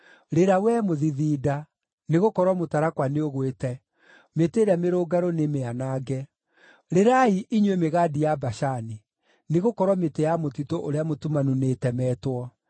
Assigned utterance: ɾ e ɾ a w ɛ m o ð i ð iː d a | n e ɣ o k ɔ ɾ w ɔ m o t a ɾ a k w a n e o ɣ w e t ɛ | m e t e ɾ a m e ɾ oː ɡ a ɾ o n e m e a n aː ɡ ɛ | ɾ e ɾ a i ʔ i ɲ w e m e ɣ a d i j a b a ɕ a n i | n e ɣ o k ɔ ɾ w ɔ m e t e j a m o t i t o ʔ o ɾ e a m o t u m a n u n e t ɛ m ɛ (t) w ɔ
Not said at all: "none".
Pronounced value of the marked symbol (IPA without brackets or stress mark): t